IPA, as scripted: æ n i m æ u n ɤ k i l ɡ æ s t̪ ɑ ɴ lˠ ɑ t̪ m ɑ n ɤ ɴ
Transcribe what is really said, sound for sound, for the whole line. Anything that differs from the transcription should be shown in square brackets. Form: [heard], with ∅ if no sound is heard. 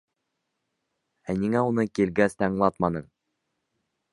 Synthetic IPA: æ n i [ŋ] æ u n ɤ k i l ɡ æ s t̪ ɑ ɴ lˠ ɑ t̪ m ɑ n ɤ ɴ